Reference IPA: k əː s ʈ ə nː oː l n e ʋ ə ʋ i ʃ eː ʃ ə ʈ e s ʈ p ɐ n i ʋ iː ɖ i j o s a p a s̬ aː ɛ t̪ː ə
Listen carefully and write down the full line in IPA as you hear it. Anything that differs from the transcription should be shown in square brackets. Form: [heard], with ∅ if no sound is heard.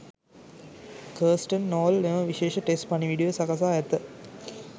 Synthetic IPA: k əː s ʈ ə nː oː l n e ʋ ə ʋ i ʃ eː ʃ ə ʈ e s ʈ p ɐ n i ʋ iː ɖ i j o s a [k] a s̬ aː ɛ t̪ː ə